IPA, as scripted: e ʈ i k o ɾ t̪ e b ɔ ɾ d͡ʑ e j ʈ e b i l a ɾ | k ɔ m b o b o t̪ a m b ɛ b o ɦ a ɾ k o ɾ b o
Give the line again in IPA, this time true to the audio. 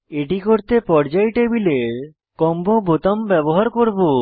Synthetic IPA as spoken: e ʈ i k o ɾ t̪ e p ɔ ɾ d͡ʑ a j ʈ e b i l e ɾ | k ɔ m b o b o t̪ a m b ɛ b o ɦ a ɾ k o ɾ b o

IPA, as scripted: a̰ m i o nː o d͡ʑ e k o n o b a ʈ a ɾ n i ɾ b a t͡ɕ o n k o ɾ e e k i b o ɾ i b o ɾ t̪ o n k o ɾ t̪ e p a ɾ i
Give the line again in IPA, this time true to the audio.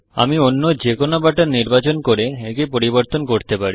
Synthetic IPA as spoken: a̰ m i o nː o d͡ʑ e k o n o b a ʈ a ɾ n i ɾ b a t͡ɕ o n k o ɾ e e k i p o ɾ i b o ɾ t̪ o n k o ɾ t̪ e p a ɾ i

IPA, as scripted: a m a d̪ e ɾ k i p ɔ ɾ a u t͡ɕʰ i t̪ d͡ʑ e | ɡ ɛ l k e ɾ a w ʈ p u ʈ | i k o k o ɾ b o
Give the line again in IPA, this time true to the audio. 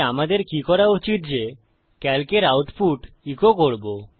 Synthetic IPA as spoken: a m a d̪ e ɾ k i k ɔ ɾ a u t͡ɕ i t̪ d͡ʑ e | k ɛ l k e ɾ a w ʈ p u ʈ | i k o k o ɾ b o

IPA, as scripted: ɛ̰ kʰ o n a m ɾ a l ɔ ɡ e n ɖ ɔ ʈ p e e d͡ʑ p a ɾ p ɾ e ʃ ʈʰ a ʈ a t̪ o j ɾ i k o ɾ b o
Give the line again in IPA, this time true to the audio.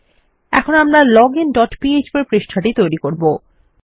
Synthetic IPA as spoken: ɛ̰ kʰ o n a m ɾ a l ɔ ɡ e n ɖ ɔ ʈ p i e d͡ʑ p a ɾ p ɾ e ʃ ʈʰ a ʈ i t̪ o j ɾ i k o ɾ b o

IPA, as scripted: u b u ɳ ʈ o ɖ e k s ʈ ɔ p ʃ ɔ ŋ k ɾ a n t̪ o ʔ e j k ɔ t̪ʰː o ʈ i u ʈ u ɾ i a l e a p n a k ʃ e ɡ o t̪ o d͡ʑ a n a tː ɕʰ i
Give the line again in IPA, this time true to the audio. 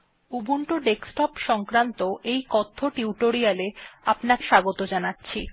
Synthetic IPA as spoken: u b u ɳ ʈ o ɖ e k s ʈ ɔ p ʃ ɔ ŋ k ɾ a n t̪ o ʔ e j k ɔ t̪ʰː o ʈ i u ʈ o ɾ i a l e a p n a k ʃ a ɡ o t̪ o d͡ʑ a n a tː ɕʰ i

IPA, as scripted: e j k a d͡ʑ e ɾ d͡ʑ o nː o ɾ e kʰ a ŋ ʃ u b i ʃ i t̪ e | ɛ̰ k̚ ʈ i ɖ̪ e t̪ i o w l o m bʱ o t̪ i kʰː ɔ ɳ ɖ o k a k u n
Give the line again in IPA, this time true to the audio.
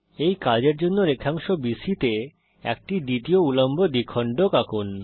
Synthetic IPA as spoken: e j k a d͡ʑ e ɾ d͡ʑ o nː o ɾ e kʰ a ŋ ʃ o b i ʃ i t̪ e | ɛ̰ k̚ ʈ i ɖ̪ i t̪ i o u l o m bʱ o d̪ i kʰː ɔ ɳ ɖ o k a k u n

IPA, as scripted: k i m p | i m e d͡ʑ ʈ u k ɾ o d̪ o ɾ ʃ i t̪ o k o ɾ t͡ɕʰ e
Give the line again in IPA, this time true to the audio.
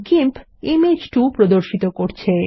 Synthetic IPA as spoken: k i m p | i m e d͡ʑ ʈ u p ɾ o d̪ o ɾ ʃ i t̪ o k o ɾ t͡ɕʰ e

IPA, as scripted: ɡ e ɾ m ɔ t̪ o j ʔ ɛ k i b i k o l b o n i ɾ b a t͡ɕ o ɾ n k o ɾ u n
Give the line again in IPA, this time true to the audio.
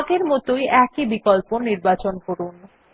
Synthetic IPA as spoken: ɡ e ɾ m ɔ t̪ o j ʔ ɛ k i b i k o l p o n i ɾ b a t͡ɕ o n k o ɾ u n

